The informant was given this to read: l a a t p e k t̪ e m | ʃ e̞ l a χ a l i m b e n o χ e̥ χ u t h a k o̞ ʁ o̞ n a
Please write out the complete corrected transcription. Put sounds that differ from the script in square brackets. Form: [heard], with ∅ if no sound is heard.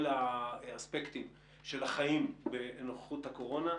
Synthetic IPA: l a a [s] p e k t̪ [i] m | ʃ e̞ l a χ a [∅] i m b e n o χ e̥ χ u t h a k o̞ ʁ o̞ n a